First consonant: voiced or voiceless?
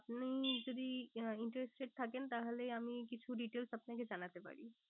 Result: voiceless